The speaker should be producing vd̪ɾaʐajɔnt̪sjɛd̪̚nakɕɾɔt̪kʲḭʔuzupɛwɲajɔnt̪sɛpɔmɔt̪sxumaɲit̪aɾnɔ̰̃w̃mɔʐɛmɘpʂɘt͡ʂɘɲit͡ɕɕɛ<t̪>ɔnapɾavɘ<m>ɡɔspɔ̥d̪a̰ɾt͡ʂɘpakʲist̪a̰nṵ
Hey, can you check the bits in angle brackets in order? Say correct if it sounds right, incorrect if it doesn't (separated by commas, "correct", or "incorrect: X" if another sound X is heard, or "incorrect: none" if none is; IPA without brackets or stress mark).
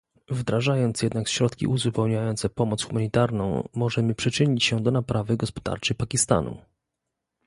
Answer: incorrect: d̪, incorrect: none